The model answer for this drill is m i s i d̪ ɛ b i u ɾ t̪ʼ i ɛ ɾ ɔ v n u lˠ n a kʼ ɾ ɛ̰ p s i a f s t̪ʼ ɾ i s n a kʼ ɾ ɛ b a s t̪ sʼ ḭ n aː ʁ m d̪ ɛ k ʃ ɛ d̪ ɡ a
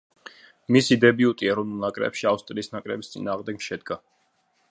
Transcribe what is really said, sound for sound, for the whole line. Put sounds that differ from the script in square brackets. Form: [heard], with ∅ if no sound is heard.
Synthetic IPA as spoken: m i s i d̪ ɛ b i u [∅] t̪ʼ i ɛ ɾ ɔ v n u lˠ n a kʼ ɾ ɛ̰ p [ʃ] i a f s t̪ʼ ɾ [iː] s n a kʼ ɾ ɛ b [i] s t̪ sʼ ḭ n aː ʁ m d̪ ɛ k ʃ ɛ d̪ ɡ a